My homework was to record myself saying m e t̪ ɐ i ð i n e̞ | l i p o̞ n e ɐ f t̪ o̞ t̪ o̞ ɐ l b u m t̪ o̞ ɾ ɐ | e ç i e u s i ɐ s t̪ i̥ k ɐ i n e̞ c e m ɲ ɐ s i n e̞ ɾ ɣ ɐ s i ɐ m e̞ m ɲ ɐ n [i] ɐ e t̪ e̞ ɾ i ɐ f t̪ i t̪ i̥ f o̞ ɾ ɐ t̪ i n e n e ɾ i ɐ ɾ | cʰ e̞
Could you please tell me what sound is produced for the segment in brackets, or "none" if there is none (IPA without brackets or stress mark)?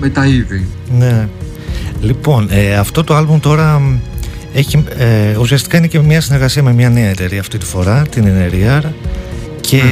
e